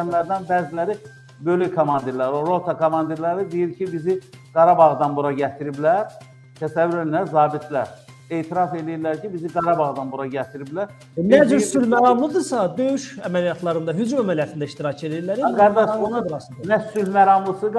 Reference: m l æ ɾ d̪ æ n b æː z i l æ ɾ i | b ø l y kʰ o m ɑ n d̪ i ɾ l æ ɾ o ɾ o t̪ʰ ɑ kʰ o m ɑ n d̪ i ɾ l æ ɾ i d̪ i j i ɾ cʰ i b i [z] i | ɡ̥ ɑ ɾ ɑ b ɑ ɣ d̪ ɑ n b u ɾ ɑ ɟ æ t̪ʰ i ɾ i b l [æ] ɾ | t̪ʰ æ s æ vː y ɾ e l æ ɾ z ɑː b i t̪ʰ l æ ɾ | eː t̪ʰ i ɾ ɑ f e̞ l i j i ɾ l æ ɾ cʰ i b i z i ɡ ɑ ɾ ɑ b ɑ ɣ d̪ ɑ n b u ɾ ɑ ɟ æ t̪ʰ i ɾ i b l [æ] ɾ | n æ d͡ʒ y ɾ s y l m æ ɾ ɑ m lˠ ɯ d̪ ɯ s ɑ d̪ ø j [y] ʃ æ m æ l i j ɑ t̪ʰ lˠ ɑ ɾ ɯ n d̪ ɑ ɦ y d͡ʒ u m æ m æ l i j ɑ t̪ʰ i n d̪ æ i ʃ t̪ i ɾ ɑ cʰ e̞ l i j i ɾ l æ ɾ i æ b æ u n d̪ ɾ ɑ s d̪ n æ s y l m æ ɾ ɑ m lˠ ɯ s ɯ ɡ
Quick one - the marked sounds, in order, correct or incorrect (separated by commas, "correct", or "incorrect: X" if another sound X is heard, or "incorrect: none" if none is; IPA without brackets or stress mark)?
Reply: correct, correct, correct, correct